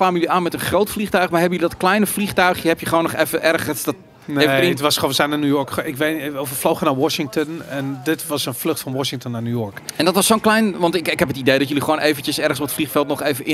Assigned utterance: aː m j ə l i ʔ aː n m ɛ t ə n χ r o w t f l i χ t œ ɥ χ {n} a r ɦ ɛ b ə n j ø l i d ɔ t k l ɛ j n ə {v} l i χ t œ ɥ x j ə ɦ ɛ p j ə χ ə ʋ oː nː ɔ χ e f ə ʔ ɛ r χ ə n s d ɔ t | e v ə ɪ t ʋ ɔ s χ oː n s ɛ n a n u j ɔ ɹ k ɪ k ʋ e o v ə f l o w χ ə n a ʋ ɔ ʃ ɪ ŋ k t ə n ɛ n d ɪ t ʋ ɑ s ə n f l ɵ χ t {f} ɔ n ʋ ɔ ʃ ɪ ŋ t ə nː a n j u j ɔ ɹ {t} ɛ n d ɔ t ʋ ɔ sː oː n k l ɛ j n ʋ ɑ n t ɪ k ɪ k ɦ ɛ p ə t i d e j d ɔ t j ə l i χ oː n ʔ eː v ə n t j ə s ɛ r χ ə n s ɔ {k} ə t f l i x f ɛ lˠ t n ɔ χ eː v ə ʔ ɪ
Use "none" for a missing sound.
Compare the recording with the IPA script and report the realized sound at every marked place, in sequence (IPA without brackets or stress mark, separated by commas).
m, f, f, k, p